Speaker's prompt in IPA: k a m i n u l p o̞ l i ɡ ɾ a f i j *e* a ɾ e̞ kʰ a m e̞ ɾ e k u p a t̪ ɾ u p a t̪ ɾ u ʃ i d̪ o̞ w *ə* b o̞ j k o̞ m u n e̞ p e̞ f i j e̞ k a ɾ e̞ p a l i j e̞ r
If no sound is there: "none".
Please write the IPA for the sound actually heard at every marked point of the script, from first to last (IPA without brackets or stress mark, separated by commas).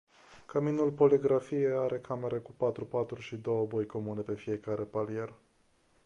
e, ə